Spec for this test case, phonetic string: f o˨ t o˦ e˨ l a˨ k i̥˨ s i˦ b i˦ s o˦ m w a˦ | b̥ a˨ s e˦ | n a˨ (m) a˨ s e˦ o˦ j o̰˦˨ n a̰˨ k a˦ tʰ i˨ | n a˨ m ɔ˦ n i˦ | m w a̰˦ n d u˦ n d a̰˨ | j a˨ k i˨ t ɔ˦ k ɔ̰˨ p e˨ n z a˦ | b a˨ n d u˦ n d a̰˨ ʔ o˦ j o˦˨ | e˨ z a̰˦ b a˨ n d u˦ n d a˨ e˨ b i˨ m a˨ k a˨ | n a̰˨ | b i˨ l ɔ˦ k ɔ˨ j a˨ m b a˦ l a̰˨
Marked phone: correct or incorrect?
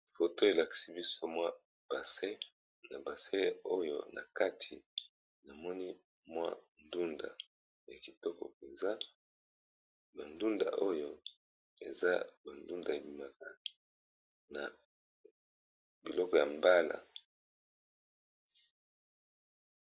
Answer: incorrect